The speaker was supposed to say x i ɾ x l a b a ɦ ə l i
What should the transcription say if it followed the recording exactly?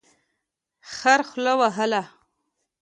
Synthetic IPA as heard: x a ɾ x l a w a ɦ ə l a